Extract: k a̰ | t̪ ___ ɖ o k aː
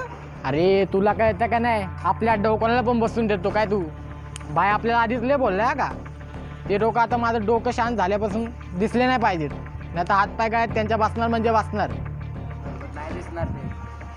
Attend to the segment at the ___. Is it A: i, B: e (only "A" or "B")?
B